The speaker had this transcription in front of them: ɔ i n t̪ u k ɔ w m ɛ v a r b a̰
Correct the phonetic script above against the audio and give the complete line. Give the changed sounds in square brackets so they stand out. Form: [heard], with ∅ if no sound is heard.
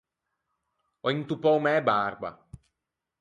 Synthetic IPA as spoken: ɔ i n t̪ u [p] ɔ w m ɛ [b] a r b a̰

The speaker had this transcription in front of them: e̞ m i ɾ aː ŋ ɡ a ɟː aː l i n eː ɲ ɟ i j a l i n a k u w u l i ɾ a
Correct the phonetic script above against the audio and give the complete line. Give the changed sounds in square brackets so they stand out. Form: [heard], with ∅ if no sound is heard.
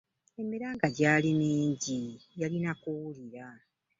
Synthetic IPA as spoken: e̞ m i ɾ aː ŋ ɡ a [ɟ] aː l i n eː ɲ ɟ i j a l i n a k u w u l i ɾ a

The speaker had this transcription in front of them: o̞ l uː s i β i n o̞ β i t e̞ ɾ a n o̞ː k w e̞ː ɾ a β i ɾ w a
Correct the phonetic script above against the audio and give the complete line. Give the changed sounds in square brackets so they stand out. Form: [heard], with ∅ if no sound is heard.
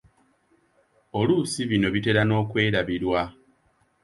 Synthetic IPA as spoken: o̞ l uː s i β i n o̞ β i t e̞ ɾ a n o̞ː k w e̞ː ɾ a β i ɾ w a

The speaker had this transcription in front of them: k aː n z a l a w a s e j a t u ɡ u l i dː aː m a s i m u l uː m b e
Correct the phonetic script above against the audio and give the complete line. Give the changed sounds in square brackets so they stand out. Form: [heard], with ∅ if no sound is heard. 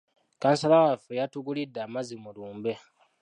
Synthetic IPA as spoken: k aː n [s] a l a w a [f] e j a t u ɡ u l i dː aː m a [z] i m u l uː m b e

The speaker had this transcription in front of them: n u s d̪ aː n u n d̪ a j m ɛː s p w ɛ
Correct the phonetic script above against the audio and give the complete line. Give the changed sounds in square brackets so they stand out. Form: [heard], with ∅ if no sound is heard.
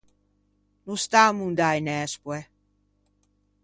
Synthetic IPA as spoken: n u s [t̪] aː [m] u n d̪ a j [n] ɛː s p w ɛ

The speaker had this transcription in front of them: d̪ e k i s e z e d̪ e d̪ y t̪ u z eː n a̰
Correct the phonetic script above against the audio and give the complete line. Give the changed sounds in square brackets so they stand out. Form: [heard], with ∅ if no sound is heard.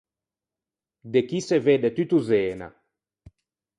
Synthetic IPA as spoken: d̪ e k i s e [v] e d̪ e [t̪] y t̪ u z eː n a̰

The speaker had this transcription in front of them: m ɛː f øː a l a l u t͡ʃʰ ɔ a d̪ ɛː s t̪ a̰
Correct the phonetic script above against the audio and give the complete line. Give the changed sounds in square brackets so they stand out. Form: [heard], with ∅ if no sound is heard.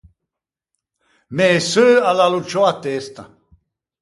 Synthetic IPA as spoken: m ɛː [s] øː a l a l u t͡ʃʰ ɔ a [t̪] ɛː s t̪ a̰

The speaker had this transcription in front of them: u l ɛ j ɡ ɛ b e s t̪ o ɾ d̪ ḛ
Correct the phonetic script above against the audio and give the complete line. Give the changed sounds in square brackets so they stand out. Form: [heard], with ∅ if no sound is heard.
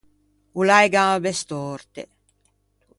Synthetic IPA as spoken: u l [a] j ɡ [a] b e s t̪ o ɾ [t̪] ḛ

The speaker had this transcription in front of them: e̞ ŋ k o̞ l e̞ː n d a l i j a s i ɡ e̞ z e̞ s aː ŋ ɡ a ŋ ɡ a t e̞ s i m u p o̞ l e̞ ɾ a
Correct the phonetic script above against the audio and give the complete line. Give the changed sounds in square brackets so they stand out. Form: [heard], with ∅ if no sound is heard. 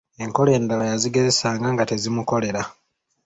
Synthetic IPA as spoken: e̞ ŋ k o̞ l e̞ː n d a l [a] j a [z] i ɡ e̞ z e̞ s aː ŋ ɡ a ŋ ɡ a t e̞ [z] i m u [k] o̞ l e̞ ɾ a

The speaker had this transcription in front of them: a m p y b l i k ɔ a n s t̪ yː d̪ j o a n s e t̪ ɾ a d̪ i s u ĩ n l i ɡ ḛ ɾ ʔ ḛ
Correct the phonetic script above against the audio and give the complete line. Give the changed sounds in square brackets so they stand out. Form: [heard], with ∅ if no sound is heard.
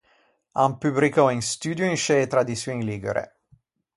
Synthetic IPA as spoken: a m p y b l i k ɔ [i] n s t̪ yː d̪ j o [i] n [ʃ] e t̪ ɾ a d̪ i s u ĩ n l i ɡ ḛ ɾ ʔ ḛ

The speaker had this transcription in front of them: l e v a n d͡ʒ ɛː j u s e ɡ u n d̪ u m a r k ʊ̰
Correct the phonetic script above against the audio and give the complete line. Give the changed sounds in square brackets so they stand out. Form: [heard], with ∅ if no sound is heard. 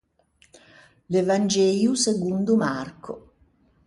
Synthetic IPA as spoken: l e v a n d͡ʒ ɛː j u s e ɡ u n d̪ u m a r k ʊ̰

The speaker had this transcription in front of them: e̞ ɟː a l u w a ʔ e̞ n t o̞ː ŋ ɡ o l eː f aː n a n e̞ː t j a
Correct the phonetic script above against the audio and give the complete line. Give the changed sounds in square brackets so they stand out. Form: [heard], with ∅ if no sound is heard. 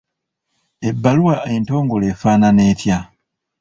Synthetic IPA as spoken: e̞ [bː] a l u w a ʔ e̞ n t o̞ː ŋ ɡ o l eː f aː n a n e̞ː t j a

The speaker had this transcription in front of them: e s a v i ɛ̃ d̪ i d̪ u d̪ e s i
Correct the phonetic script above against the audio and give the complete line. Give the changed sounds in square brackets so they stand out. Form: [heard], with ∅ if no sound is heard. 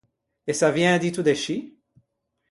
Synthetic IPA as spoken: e s a v [j] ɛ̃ d̪ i [t̪] u d̪ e [ʃ] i

